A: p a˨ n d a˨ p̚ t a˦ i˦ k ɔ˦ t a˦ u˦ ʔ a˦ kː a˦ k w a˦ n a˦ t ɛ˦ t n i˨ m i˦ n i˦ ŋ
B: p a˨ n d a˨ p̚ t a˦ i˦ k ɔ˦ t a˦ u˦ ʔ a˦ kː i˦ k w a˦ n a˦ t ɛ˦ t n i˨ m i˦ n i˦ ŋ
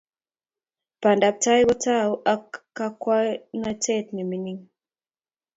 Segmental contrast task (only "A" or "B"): A